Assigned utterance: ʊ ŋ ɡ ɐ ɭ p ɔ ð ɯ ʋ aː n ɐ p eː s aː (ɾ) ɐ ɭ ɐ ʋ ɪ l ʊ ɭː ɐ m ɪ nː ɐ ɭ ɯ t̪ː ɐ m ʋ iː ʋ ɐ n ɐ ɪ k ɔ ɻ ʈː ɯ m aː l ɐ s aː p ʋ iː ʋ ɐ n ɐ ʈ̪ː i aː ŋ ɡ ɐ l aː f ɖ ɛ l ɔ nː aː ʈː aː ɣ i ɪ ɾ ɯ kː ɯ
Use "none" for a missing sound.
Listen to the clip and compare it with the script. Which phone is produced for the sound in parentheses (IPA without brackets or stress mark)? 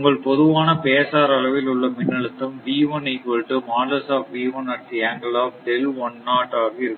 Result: ɾ